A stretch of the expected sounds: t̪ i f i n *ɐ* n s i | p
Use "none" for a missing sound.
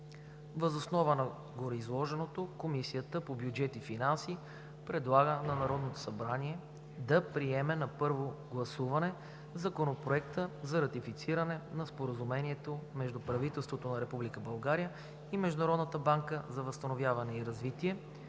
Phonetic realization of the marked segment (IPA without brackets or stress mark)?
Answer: a